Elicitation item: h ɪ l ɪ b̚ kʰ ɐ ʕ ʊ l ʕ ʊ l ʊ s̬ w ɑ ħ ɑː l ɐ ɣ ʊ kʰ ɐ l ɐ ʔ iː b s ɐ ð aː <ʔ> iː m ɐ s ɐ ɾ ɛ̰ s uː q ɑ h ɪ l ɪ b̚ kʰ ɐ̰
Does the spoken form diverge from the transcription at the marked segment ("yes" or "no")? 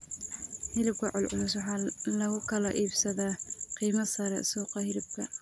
yes